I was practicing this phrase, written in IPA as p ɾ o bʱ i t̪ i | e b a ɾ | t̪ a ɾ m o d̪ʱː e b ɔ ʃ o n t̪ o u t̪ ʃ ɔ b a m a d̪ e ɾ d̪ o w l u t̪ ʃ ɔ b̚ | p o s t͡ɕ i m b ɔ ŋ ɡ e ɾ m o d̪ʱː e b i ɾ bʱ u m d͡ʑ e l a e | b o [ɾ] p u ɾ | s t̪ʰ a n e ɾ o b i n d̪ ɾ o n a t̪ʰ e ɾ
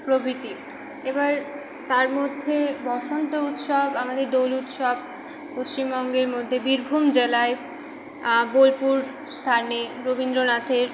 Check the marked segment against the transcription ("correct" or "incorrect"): incorrect